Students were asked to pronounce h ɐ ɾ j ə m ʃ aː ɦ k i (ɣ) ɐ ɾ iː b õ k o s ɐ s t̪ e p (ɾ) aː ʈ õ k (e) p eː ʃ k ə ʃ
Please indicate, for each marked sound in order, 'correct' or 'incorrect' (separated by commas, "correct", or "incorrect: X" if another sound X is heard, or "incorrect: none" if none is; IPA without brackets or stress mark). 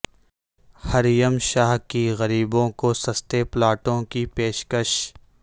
correct, incorrect: l, incorrect: i